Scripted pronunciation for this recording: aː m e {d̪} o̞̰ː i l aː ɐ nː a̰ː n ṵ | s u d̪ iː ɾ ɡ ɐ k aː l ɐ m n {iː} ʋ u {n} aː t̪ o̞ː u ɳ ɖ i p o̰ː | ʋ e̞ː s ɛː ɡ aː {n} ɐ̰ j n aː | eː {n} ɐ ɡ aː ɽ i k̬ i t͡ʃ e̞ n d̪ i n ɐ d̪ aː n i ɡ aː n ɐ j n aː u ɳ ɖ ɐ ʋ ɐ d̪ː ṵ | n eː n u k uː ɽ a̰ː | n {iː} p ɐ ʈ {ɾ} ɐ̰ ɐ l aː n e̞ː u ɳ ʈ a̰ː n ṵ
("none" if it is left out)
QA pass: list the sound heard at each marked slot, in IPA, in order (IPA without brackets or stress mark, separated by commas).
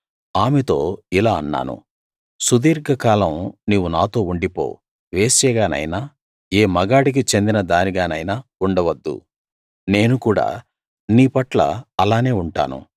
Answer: t̪, iː, n, n, m, iː, l